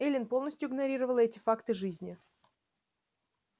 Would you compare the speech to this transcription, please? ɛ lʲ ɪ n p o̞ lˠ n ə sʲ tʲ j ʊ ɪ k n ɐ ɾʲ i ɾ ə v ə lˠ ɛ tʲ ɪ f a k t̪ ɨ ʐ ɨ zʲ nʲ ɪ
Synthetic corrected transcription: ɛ lʲ ɪ n p o̞ lˠ n ə sʲ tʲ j ʊ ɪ ɡ n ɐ ɾʲ i ɾ ə v ə lˠ ɛ tʲ ɪ f a k t̪ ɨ ʐ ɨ zʲ nʲ ɪ